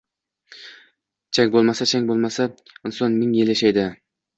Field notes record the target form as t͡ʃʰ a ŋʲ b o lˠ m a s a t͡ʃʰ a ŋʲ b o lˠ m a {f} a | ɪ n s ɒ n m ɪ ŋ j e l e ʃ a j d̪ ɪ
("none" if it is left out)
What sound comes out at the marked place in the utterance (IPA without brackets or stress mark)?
s